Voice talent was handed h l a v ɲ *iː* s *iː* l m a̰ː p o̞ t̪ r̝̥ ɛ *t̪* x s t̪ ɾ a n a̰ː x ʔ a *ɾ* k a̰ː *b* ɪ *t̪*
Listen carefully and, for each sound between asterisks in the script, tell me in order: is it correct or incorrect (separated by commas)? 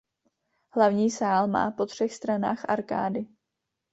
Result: correct, incorrect, incorrect, correct, incorrect, incorrect